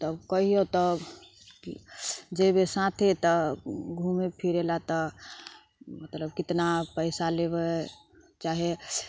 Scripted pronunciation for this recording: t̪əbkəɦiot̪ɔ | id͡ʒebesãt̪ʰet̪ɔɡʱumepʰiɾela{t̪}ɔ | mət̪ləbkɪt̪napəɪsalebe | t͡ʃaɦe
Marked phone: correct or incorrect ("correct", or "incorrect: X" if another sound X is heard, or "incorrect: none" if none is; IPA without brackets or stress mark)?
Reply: correct